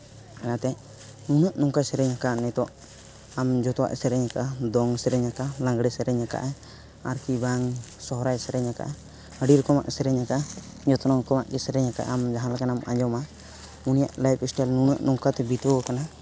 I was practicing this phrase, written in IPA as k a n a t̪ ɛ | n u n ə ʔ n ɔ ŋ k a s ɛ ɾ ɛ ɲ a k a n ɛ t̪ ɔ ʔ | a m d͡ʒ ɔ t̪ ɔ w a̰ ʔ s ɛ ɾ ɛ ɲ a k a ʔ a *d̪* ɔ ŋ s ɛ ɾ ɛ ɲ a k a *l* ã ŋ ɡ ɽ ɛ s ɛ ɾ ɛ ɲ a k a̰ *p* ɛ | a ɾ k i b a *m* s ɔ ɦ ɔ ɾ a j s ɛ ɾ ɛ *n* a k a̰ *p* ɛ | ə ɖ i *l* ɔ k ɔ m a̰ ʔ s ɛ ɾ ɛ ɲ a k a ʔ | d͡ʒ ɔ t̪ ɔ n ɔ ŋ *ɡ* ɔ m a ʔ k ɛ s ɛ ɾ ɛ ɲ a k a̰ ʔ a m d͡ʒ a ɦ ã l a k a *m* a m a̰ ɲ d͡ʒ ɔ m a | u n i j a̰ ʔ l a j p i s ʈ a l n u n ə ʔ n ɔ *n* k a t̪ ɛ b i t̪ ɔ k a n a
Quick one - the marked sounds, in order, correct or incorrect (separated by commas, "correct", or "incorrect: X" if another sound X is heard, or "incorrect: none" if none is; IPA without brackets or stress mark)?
correct, correct, incorrect: ʔ, incorrect: ŋ, incorrect: ɲ, incorrect: ʔ, incorrect: ɾ, incorrect: k, incorrect: n, incorrect: ŋ